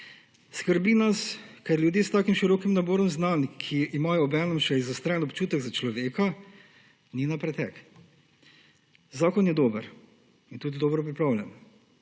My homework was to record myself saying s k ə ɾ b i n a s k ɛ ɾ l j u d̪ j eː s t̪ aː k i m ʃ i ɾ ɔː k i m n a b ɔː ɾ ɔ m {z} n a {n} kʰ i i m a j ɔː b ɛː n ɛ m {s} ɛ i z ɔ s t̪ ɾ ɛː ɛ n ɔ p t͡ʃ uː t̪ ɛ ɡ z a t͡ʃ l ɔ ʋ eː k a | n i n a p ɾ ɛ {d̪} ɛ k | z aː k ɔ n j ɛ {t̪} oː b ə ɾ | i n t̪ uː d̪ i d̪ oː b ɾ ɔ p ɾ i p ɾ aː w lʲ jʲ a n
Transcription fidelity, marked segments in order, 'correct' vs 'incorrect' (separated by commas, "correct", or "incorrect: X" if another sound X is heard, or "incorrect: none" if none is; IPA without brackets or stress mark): correct, correct, incorrect: ʃ, incorrect: t̪, incorrect: d̪